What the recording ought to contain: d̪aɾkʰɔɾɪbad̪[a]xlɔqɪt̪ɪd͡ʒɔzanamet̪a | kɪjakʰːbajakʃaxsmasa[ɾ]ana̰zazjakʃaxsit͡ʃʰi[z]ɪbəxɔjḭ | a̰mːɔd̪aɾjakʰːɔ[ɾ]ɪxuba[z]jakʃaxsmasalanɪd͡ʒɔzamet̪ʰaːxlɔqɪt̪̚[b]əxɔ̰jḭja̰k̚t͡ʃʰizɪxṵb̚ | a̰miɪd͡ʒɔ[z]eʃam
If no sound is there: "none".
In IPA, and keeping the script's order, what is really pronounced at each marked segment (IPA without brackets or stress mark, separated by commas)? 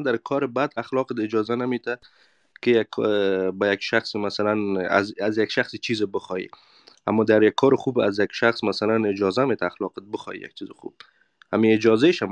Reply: a, l, z, ɾ, z, b, z